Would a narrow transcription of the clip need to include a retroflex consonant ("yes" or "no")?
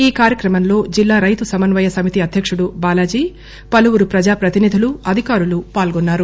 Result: yes